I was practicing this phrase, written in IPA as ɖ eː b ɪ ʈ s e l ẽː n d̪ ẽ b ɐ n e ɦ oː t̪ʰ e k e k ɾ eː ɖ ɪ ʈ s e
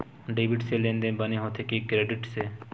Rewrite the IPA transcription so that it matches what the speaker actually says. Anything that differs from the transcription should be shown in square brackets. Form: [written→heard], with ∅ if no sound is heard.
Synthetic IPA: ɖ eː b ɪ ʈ s e l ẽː n d̪ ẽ b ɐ n e ɦ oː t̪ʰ e k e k ɾ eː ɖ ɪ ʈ s e

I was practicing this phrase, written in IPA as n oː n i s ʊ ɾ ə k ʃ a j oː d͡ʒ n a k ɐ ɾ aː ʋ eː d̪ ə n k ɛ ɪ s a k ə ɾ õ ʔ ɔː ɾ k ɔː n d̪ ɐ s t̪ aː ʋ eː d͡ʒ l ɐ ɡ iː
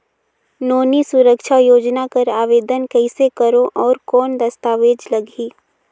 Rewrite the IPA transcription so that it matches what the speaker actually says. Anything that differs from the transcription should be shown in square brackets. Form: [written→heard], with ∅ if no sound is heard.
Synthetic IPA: n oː n i s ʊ ɾ ə k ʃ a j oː d͡ʒ n a k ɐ ɾ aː ʋ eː d̪ ə n k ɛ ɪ s [a→e] k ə ɾ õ ʔ ɔː ɾ k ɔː n d̪ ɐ s t̪ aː ʋ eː d͡ʒ l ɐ ɡ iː

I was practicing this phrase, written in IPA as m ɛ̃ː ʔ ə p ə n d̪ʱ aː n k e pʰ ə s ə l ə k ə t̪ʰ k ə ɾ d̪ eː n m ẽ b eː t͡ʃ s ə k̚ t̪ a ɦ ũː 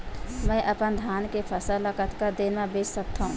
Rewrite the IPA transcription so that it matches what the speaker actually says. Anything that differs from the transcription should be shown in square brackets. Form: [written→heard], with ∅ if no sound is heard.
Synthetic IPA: m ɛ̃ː ʔ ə p ə n d̪ʱ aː n k e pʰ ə s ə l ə k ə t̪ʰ k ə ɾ d̪ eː n m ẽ b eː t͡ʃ s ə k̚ t̪ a ɦ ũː

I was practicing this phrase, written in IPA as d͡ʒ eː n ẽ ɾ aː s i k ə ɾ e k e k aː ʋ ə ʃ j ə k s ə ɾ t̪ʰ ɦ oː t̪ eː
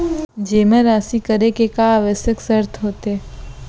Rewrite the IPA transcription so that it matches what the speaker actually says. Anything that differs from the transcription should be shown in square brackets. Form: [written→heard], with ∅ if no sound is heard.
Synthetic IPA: d͡ʒ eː [n→m] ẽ ɾ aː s i k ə ɾ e k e k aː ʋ ə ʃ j ə k s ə ɾ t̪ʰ ɦ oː t̪ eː

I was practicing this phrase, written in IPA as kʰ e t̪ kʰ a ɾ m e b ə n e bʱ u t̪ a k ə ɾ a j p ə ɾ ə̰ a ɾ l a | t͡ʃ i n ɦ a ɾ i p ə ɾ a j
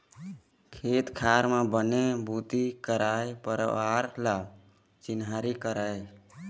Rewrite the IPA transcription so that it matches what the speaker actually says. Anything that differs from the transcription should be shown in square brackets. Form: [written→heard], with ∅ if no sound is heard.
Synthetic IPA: kʰ e t̪ kʰ a ɾ m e b ə n e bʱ u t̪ [a→i] k ə ɾ a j p ə ɾ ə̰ a ɾ l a | t͡ʃ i n ɦ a ɾ i [p→k] ə ɾ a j

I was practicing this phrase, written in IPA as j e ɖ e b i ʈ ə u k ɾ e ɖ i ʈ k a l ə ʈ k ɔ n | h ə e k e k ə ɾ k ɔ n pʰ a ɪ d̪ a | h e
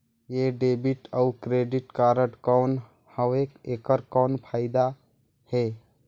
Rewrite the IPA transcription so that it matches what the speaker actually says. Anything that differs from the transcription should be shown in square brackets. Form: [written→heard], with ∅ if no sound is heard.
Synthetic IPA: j e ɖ e b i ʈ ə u k ɾ e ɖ i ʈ k a [l→ɾ] ə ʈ k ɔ n | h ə e k e k ə ɾ k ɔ n pʰ a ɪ d̪ a | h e

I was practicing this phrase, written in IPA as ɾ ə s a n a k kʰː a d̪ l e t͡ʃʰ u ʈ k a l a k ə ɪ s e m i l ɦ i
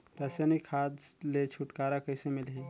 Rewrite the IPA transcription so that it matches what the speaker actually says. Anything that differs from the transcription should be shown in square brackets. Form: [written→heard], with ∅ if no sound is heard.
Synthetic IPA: ɾ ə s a n [a→i] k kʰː a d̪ l e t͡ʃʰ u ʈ k a [l→ɾ] a k ə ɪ s e m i l ɦ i

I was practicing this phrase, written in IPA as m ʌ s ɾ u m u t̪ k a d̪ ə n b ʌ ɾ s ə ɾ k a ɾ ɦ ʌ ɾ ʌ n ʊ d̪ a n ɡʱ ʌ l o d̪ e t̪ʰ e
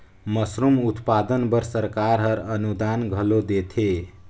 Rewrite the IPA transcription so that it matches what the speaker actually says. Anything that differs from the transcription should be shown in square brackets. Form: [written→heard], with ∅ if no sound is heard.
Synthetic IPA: m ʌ s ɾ u m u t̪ [k→p] a d̪ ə n b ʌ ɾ s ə ɾ k a ɾ ɦ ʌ ɾ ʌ n [ʊ→u] d̪ a n ɡʱ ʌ l o d̪ e t̪ʰ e

